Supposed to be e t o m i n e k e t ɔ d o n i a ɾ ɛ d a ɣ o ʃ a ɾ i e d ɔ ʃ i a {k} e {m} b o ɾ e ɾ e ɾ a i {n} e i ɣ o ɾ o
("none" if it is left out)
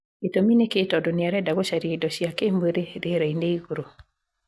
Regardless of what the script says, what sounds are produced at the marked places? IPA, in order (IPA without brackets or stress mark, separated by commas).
k, m, n